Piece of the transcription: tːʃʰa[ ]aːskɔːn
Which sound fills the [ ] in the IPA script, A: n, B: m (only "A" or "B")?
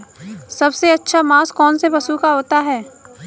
B